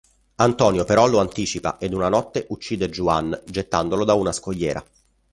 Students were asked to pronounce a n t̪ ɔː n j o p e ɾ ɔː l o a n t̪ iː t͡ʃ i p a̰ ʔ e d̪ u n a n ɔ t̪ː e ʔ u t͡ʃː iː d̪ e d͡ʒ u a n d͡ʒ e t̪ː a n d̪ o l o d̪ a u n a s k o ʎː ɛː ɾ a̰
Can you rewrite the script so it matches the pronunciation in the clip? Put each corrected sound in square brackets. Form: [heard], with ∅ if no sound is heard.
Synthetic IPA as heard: a n t̪ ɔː n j o p e ɾ [ɔ] l o a n t̪ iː t͡ʃ i p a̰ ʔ e d̪ u n a n ɔ t̪ː e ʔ u t͡ʃː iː d̪ e d͡ʒ u a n d͡ʒ e t̪ː a n d̪ o l o d̪ a u n a s k o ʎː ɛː ɾ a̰